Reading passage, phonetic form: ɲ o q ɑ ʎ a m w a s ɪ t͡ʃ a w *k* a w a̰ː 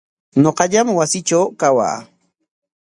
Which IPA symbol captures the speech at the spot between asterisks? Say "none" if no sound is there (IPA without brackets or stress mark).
k